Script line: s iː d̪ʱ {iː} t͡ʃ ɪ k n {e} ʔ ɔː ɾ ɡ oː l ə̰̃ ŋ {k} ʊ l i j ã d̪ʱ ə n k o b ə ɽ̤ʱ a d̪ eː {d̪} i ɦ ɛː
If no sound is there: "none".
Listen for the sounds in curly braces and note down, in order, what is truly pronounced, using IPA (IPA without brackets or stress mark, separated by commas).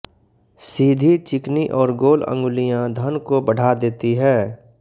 i, i, ɡ, t̪